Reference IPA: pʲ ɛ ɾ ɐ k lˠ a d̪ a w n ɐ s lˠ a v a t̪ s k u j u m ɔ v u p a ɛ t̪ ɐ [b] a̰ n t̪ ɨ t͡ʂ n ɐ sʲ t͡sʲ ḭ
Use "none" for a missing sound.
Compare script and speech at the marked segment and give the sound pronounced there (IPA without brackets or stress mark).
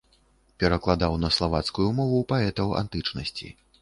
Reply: w